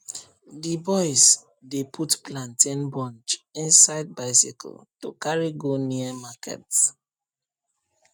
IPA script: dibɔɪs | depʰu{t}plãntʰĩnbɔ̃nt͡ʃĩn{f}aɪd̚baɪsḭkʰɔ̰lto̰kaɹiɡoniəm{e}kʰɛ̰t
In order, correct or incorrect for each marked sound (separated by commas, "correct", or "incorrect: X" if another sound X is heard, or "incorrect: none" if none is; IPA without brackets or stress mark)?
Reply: correct, incorrect: s, incorrect: a